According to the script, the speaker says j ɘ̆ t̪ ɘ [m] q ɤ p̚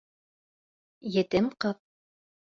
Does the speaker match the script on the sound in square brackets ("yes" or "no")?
yes